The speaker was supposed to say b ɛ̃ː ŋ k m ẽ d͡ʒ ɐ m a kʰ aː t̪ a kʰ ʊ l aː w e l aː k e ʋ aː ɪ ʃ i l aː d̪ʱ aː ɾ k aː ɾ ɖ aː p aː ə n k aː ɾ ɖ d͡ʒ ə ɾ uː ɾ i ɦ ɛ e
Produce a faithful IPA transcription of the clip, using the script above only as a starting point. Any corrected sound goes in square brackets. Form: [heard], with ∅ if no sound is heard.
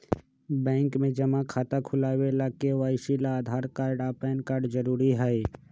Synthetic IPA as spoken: b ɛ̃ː ŋ k m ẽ d͡ʒ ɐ m a kʰ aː t̪ a kʰ ʊ l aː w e l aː k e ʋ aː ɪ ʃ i l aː d̪ʱ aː ɾ k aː ɾ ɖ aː p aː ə n k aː ɾ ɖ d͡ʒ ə ɾ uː ɾ i ɦ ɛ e